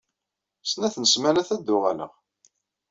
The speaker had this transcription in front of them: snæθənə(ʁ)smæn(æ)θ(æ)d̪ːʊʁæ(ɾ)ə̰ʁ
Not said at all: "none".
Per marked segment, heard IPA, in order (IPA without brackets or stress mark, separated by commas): none, æ, æ, l